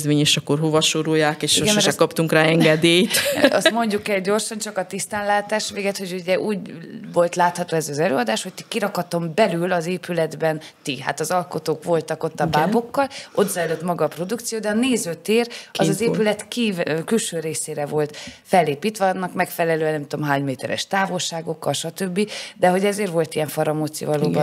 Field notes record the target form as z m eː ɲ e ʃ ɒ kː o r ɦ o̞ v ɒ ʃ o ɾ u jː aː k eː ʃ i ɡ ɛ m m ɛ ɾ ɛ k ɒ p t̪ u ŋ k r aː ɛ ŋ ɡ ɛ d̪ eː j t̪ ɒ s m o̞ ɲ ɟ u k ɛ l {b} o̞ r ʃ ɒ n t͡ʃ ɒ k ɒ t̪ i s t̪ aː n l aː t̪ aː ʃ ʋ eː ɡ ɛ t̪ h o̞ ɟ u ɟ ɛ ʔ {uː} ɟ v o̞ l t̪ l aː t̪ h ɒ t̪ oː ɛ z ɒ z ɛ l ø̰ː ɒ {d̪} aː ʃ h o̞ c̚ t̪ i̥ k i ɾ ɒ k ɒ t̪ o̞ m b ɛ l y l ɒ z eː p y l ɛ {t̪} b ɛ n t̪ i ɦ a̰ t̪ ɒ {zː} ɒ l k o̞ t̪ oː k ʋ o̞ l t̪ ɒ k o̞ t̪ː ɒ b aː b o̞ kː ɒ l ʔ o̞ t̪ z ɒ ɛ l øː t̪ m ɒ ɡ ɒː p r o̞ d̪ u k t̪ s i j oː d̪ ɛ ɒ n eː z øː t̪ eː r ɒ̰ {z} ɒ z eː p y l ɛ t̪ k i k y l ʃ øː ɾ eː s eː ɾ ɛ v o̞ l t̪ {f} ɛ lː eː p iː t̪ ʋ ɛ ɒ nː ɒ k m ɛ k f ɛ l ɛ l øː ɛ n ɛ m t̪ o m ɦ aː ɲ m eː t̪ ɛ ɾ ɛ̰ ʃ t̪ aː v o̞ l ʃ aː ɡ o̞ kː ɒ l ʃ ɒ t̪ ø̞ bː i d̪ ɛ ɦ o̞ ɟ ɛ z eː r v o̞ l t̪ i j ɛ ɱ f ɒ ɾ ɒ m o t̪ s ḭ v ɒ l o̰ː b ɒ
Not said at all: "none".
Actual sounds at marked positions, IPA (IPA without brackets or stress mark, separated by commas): ɟ, uː, d̪, d̪, z, z, f